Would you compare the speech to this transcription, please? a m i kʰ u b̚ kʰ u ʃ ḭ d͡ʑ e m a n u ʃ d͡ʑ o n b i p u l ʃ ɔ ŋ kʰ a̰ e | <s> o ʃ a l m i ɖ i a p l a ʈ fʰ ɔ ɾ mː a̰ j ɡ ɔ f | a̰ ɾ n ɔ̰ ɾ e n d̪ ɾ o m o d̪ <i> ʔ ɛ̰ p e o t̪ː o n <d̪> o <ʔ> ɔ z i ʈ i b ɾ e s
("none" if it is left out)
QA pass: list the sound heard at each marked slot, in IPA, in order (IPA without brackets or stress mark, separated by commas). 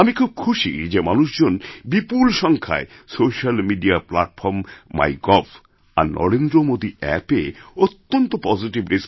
s, i, t̪, p